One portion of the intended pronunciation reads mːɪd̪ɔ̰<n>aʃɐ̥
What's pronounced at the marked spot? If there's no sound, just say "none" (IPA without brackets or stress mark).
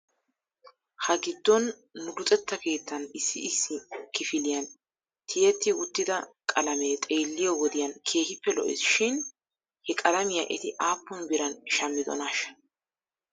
n